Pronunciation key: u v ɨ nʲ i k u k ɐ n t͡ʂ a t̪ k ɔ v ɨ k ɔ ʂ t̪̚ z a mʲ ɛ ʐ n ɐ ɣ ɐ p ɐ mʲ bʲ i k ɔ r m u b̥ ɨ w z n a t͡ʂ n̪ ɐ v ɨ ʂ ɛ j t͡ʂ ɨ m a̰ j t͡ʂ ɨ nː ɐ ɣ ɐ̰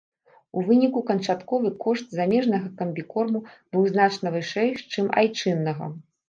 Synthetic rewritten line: u v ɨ nʲ i k u k ɐ n t͡ʂ a t̪ k ɔ v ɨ k ɔ ʂ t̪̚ z a mʲ ɛ ʐ n ɐ ɣ ɐ k ɐ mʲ bʲ i k ɔ r m u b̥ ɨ w z n a t͡ʂ n̪ ɐ v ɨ ʂ ɛ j t͡ʂ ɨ m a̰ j t͡ʂ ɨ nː ɐ ɣ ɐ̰